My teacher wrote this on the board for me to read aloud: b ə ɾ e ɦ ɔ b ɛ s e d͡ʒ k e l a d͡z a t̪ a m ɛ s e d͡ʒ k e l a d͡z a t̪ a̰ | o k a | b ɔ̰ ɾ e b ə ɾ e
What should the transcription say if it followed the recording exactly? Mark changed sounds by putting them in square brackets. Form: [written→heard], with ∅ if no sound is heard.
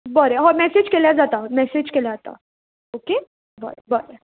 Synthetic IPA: b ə ɾ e ɦ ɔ [b→m] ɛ s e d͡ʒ k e l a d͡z a t̪ a m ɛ s e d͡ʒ k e l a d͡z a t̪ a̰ | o k [a→e] | b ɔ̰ ɾ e b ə ɾ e